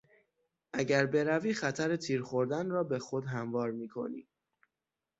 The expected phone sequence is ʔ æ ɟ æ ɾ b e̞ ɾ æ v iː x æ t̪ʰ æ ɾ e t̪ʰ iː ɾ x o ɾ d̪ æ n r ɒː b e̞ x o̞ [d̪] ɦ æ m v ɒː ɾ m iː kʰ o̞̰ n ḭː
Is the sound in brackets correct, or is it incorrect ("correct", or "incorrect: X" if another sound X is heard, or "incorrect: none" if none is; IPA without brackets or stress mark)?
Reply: correct